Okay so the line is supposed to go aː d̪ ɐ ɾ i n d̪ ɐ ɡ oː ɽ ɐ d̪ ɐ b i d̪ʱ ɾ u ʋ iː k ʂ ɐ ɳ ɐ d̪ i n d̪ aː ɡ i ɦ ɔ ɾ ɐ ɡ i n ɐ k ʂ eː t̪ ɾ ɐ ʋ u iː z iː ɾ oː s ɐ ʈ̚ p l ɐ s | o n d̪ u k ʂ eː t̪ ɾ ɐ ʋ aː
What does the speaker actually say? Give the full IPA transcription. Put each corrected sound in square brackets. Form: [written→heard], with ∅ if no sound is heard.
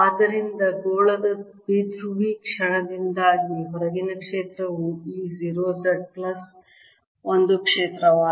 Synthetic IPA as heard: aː d̪ ɐ ɾ i n d̪ ɐ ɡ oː [ɽ→ɭ] ɐ d̪ ɐ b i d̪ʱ ɾ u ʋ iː k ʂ ɐ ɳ ɐ d̪ i n d̪ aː ɡ i ɦ ɔ ɾ ɐ ɡ i n ɐ k ʂ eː t̪ ɾ ɐ ʋ u iː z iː ɾ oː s ɐ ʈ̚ p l ɐ s | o n d̪ u k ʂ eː t̪ ɾ ɐ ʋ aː